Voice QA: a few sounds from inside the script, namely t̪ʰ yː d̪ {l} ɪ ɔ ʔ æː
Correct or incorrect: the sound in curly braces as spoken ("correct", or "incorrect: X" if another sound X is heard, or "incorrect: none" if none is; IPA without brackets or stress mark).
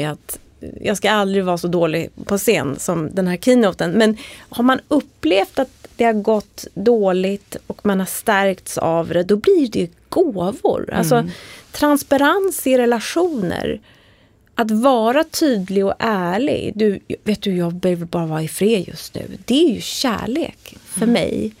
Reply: correct